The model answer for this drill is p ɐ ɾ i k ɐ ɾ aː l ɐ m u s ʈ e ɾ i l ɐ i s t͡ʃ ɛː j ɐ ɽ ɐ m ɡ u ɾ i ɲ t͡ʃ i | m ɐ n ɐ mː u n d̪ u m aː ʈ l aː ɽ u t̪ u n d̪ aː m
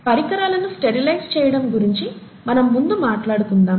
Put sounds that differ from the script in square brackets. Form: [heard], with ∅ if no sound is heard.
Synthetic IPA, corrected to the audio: p ɐ ɾ i k ɐ ɾ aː l ɐ [n] u s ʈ e ɾ i l ɐ [j] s t͡ʃ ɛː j ɐ ɽ ɐ m ɡ u ɾ i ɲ t͡ʃ i | m ɐ n ɐ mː u n d̪ u m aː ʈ l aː ɽ u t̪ u n d̪ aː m

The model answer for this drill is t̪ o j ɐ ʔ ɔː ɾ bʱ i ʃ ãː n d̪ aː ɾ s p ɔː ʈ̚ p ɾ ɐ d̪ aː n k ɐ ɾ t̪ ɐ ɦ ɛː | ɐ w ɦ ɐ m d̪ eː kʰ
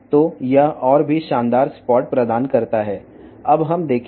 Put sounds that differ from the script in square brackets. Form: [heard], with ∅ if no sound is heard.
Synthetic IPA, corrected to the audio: t̪ o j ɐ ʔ ɔː ɾ bʱ i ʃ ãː n d̪ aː ɾ s p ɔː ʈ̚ p ɾ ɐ d̪ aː n k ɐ ɾ t̪ [a] ɦ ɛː | ɐ [b] ɦ ɐ m d̪ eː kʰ

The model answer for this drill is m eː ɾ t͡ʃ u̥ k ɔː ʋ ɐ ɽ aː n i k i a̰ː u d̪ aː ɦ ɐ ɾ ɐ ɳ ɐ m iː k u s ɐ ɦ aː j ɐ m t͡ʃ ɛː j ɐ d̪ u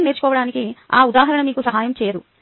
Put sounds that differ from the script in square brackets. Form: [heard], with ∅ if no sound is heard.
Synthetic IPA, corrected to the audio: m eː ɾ t͡ʃ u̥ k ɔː ʋ ɐ ɽ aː n i k i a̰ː u d̪ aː ɦ ɐ ɾ ɐ ɳ ɐ m iː k u s ɐ ɦ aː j ɐ m t͡ʃ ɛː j ɐ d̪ u

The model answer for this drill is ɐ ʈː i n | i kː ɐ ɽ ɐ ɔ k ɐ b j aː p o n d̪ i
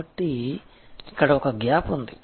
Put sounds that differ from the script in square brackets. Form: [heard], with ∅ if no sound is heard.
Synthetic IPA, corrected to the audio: ɐ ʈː i [∅] | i kː ɐ ɽ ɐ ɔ k ɐ [ɡ] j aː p [u] n d̪ i

